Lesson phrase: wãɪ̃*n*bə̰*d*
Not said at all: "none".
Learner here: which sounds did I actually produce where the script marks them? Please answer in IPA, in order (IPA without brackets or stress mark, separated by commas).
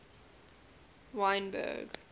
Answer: n, ɡ